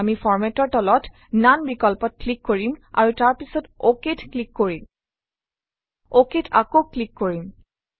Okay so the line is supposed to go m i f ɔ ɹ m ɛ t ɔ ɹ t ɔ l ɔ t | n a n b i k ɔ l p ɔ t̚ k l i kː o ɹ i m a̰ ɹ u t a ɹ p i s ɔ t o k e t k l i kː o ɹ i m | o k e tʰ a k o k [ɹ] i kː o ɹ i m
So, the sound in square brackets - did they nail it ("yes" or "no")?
no